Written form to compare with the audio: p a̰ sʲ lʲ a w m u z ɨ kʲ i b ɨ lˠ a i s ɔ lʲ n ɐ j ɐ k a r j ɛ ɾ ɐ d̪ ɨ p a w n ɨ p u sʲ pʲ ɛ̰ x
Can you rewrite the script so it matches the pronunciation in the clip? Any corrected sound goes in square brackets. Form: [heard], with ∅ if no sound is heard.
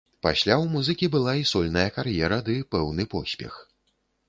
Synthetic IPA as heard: p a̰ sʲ lʲ a w m u z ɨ kʲ i b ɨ lˠ a i s ɔ lʲ n ɐ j ɐ k a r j ɛ ɾ ɐ d̪ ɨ p [ɛ] w n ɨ p [ɔ] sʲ pʲ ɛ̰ x